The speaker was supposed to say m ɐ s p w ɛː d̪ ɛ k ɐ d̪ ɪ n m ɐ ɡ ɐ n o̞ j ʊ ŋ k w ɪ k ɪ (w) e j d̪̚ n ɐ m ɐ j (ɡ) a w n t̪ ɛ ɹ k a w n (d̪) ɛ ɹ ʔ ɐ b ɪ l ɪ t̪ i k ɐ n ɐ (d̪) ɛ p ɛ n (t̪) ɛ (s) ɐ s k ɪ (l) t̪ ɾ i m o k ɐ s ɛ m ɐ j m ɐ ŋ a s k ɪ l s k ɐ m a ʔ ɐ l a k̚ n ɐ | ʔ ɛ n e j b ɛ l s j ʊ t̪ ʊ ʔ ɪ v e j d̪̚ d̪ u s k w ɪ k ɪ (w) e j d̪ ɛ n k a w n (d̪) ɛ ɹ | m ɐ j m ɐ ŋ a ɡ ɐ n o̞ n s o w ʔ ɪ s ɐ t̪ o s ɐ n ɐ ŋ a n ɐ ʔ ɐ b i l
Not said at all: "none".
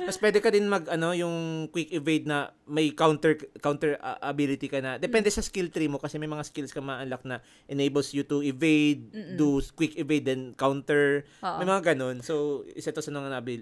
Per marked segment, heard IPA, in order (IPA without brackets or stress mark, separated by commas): v, k, t̪, d̪, d̪, s, l, v, t̪